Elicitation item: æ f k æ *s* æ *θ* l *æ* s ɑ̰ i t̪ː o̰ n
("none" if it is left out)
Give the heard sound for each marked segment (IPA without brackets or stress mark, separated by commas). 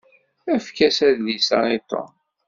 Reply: s, ð, i